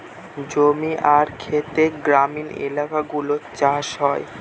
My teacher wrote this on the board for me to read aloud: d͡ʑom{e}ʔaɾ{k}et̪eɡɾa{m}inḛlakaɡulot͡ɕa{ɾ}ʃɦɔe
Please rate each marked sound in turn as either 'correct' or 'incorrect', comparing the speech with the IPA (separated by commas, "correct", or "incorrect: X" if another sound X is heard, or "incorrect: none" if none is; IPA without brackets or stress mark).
incorrect: i, incorrect: kʰ, correct, incorrect: none